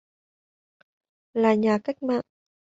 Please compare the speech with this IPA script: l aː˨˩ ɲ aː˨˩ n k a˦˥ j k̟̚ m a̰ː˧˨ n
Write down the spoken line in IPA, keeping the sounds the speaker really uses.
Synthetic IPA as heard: l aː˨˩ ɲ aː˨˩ k a˦˥ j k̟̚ m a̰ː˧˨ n